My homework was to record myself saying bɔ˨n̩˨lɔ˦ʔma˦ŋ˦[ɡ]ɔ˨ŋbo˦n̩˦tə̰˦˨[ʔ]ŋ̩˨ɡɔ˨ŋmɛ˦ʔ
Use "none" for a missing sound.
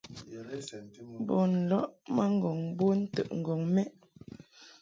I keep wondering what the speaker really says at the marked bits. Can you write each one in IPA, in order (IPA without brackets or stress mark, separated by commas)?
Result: ɡ, ʔ